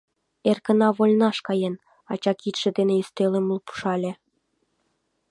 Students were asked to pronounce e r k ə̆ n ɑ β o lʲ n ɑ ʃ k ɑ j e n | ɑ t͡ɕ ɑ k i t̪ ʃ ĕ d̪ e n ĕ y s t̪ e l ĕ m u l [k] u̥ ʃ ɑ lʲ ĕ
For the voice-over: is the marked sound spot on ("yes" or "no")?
no